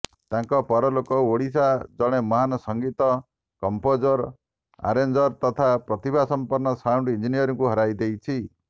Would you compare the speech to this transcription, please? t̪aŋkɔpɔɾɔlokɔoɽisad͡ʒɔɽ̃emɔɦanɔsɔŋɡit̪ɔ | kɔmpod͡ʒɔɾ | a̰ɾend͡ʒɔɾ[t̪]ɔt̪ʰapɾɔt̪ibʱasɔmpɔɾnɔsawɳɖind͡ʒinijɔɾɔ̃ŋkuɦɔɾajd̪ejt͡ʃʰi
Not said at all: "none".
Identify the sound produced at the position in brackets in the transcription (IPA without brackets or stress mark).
t̪